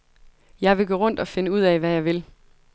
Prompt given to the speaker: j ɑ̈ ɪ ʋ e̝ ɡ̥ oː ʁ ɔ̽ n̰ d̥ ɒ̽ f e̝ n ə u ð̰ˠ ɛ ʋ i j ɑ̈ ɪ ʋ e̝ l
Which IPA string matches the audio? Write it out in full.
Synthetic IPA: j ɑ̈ ɪ ʋ e̝ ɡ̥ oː ʁ ɔ̽ n̰ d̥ ɒ̽ f e̝ n ə u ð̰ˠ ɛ ʋ æ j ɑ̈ ɪ ʋ e̝ l

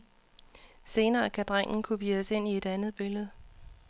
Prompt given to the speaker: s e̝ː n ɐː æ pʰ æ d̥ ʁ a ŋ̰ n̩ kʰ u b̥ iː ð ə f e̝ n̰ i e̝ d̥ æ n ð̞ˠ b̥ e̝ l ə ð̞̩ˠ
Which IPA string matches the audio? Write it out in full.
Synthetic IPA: s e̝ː n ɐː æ kʰ æ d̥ ʁ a ŋ̰ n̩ kʰ u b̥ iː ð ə s e̝ n̰ i e̝ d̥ æ n ð̞ˠ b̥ e̝ l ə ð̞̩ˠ

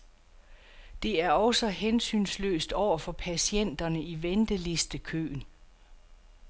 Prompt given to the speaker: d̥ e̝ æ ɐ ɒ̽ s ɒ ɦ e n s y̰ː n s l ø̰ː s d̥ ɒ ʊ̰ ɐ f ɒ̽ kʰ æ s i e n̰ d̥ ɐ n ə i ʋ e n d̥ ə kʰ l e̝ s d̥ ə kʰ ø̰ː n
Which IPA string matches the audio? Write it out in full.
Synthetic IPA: d̥ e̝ æ ɐ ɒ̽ s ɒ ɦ e n s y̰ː n s l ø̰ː s d̥ ɒ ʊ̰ ɐ f ɒ̽ pʰ æ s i e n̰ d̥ ɐ n ə i ʋ e n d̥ ə l e̝ s d̥ ə kʰ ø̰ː n

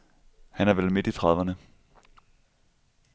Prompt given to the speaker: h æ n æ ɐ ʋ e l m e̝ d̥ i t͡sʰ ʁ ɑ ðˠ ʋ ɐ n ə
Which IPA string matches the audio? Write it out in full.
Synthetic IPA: h æ n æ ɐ ʋ e l m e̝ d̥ i t͡sʰ ʁ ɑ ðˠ ʋ ɐ n ə

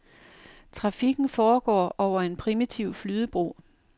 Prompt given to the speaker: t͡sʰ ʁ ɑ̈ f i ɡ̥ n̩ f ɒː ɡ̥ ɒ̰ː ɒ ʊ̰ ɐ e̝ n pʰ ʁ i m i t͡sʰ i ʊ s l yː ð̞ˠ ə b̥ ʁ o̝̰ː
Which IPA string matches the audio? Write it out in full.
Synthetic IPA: t͡sʰ ʁ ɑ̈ f i ɡ̥ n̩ f ɒː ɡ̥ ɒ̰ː ɒ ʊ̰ ɐ e̝ n pʰ ʁ i m i t͡sʰ i ʊ f l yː ð̞ˠ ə b̥ ʁ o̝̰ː

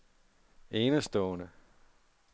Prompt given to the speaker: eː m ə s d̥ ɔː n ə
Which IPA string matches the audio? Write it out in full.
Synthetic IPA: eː n ə s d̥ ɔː n ə

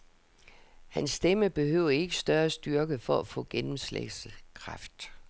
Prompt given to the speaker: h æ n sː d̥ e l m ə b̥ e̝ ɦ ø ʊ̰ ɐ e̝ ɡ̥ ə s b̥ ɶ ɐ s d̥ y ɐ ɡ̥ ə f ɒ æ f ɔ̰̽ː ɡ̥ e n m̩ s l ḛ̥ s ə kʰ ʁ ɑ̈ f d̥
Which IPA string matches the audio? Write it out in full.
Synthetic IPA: h æ n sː d̥ e m ə b̥ e̝ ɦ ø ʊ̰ ɐ e̝ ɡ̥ ə s d̥ ɶ ɐ s d̥ y ɐ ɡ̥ ə f ɒ æ f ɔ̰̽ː ɡ̥ e n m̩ s l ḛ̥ s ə kʰ ʁ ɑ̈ f d̥

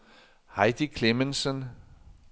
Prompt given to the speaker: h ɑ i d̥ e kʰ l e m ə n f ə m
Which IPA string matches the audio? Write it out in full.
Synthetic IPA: h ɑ ɪ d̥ i kʰ l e m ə n s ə n

